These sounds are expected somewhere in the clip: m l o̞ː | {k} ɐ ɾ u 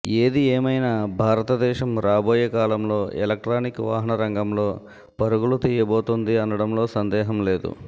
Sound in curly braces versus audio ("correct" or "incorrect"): incorrect